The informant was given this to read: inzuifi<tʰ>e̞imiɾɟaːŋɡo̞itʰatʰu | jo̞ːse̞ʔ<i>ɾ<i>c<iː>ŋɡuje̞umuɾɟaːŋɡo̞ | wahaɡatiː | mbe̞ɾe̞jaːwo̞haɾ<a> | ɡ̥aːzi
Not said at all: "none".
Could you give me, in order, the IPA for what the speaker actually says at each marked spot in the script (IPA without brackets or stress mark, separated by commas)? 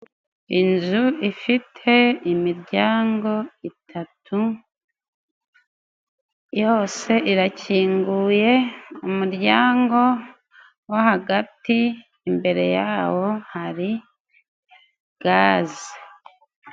tʰ, i, a, iː, i